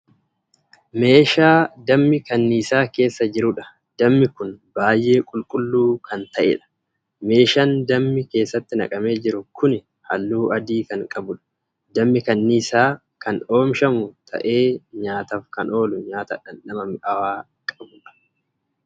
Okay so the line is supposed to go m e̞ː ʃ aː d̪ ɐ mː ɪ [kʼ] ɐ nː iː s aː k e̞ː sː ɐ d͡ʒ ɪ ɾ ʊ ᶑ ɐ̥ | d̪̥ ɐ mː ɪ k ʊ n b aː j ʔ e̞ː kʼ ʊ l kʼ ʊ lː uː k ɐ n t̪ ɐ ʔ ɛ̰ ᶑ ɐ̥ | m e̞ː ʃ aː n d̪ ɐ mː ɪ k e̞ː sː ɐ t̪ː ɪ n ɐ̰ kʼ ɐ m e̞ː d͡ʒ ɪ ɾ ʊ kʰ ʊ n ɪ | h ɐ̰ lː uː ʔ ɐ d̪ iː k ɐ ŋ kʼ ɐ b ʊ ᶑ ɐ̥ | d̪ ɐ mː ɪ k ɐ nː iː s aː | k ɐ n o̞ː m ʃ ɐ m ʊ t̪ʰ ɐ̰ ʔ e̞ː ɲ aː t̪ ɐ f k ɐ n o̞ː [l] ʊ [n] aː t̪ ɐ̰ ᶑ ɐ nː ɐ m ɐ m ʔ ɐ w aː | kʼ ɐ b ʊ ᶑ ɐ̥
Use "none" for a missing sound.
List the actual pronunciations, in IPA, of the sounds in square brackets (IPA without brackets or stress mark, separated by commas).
k, l, ɲ